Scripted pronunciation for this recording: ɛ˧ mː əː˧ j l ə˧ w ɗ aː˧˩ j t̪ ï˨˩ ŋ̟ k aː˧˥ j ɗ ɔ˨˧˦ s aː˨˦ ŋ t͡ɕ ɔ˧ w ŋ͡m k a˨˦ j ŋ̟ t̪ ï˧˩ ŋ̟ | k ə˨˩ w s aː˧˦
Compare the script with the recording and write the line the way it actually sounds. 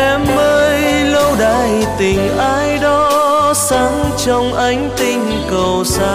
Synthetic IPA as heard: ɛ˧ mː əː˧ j l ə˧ w ɗ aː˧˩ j t̪ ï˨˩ ŋ̟ ʔ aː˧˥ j ɗ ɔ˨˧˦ s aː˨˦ ŋ t͡ɕ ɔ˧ w ŋ͡m ʔ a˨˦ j ŋ̟ t̪ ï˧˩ ŋ̟ | k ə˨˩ w s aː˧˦